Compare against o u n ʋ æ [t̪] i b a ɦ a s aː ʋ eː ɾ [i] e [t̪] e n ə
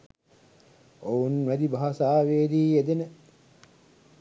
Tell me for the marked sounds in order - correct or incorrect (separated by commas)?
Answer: incorrect, incorrect, incorrect